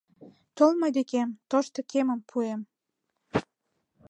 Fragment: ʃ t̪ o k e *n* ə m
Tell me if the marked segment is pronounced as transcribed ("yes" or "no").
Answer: no